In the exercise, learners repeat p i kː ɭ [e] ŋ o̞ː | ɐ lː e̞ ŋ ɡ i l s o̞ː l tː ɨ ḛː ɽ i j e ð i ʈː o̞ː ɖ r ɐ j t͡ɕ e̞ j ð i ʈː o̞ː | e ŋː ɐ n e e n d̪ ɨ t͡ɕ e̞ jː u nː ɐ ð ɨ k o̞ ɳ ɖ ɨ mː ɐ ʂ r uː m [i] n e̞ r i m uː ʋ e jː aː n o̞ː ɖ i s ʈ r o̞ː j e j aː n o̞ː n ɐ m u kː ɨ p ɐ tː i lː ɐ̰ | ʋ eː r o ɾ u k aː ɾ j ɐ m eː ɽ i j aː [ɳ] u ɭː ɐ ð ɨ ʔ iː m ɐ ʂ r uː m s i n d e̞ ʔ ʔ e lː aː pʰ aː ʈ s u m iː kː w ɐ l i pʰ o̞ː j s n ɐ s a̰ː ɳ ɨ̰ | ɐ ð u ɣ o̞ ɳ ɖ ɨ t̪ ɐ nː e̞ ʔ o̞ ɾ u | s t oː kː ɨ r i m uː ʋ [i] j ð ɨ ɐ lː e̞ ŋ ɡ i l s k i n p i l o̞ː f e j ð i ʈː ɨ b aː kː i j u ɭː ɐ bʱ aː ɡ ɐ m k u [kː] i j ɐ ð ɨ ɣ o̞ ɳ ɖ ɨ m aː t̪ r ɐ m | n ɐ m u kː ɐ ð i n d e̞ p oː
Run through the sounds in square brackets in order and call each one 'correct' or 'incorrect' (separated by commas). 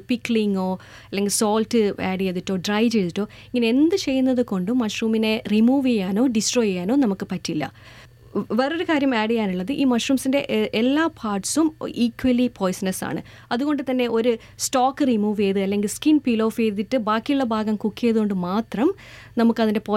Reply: incorrect, correct, incorrect, incorrect, correct